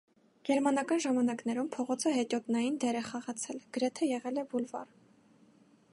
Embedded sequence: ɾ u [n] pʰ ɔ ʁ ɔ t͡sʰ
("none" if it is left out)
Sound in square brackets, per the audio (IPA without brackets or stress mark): m